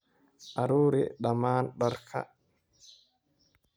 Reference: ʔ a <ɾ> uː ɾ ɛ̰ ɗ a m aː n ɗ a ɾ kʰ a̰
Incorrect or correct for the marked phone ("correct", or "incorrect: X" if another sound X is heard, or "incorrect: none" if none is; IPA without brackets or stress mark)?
correct